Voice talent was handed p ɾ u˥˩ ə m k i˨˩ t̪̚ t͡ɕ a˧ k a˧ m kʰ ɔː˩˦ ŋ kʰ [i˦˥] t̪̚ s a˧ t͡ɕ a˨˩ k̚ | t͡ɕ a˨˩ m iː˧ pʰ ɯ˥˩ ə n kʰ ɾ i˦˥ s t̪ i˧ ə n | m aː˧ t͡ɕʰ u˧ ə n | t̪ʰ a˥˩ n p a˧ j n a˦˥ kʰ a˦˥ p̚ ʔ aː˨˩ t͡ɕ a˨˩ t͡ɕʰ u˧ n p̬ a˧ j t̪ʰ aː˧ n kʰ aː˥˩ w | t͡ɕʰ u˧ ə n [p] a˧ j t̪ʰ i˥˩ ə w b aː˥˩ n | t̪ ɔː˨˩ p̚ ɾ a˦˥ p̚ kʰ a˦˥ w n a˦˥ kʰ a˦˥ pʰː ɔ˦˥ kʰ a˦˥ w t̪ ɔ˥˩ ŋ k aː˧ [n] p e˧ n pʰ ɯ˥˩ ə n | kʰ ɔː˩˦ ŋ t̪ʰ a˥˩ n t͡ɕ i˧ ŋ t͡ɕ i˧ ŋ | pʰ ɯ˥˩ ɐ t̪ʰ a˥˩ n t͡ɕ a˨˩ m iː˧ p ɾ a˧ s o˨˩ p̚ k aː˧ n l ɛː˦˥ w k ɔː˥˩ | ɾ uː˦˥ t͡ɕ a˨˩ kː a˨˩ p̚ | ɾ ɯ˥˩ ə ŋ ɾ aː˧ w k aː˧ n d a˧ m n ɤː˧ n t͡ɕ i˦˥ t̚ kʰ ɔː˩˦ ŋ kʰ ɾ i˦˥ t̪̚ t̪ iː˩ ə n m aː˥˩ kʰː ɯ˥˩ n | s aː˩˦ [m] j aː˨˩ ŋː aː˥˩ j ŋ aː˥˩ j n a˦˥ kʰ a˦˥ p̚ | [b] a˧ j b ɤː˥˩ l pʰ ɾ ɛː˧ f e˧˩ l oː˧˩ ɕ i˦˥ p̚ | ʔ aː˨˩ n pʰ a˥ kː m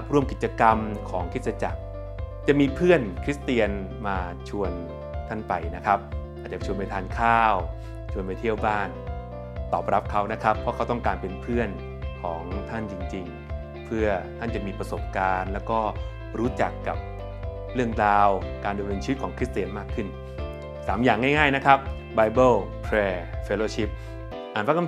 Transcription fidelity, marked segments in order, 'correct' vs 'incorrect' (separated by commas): correct, correct, correct, correct, correct